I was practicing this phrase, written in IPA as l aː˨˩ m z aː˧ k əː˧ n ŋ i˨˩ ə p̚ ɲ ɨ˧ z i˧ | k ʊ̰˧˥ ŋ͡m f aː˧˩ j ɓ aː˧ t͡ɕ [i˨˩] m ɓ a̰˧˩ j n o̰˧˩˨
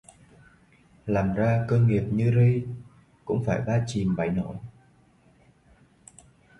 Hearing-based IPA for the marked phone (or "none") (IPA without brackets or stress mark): i˨˩